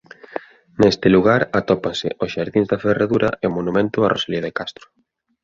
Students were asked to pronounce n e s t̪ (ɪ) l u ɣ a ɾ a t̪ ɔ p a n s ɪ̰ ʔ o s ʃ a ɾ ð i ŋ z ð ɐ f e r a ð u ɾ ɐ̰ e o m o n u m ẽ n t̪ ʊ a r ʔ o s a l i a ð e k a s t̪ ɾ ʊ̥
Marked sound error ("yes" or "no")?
no